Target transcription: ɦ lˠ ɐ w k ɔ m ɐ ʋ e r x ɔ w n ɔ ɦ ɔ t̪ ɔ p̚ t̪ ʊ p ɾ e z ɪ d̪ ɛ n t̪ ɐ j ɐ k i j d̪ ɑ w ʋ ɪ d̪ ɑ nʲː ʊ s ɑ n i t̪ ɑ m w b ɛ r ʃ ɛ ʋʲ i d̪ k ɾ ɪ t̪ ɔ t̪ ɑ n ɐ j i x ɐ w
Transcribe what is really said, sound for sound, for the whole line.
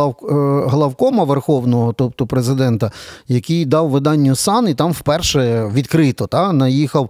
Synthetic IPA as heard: ɦ lˠ ɐ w k ɔ m ɐ ʋ e r x ɔ w n ɔ ɦ ɔ t̪ ɔ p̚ t̪ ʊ p ɾ e z ɪ d̪ ɛ n t̪ ɐ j ɐ k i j d̪ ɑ w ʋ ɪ d̪ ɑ nʲː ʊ s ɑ n i t̪ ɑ m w p ɛ r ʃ ɛ ʋʲ i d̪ k ɾ ɪ t̪ ɔ t̪ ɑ n ɐ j i x ɐ w